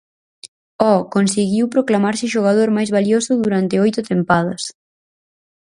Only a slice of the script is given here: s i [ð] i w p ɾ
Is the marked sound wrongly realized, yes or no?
yes